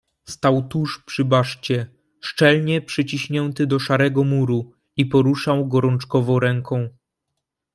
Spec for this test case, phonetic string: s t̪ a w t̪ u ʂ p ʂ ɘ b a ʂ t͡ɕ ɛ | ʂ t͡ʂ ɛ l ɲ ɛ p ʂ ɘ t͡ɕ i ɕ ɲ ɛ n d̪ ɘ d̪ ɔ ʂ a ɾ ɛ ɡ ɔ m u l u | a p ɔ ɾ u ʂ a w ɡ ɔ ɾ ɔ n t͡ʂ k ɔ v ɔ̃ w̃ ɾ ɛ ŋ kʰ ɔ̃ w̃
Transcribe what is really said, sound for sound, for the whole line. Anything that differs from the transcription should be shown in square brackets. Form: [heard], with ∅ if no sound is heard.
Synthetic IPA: s t̪ a w t̪ u ʂ p ʂ ɘ b a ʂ t͡ɕ ɛ | ʂ t͡ʂ ɛ l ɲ ɛ p ʂ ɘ t͡ɕ i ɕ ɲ ɛ n [t̪] ɘ d̪ ɔ ʂ a ɾ ɛ ɡ ɔ m u [ɾ] u | [i] p ɔ ɾ u ʂ a w ɡ ɔ ɾ ɔ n t͡ʂ k ɔ v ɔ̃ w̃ ɾ ɛ ŋ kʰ ɔ̃ w̃